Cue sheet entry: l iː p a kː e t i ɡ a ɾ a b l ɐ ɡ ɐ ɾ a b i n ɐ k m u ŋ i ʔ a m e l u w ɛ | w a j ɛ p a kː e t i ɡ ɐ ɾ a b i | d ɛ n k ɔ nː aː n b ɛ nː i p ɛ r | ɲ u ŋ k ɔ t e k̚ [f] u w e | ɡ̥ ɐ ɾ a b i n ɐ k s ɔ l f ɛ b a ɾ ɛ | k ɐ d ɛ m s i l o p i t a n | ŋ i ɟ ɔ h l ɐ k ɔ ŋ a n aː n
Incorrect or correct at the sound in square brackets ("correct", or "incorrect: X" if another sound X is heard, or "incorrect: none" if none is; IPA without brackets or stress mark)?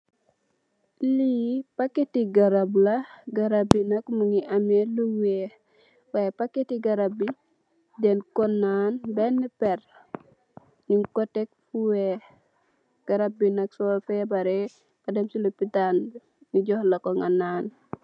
correct